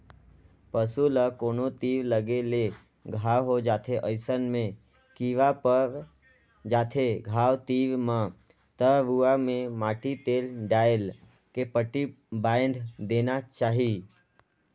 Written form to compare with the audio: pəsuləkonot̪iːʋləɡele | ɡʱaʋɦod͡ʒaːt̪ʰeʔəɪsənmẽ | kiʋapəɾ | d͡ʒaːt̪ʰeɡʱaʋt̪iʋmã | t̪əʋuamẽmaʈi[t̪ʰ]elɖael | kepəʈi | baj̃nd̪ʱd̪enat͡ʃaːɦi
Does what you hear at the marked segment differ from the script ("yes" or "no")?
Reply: yes